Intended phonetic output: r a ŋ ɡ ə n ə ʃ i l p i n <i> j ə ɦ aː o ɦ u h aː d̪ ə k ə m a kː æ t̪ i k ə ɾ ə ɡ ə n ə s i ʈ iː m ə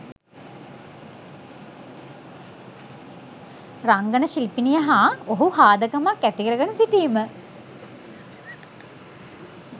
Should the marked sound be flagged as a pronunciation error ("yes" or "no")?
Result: no